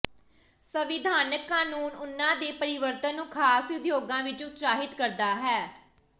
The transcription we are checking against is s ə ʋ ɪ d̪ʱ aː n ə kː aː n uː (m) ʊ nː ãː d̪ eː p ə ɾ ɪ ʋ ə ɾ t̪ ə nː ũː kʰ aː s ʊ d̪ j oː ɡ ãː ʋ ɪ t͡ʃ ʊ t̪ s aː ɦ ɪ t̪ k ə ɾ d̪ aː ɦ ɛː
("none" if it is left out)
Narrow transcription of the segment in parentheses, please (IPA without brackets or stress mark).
n